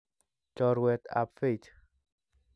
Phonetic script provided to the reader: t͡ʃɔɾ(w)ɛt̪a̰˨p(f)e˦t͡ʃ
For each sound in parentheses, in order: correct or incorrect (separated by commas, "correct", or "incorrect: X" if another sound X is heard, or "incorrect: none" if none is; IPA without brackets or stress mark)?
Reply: correct, correct